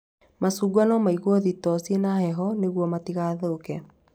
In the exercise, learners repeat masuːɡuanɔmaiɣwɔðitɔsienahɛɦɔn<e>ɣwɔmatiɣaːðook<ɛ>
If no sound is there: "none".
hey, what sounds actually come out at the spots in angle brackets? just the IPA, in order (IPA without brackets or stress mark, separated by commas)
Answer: e, ɛ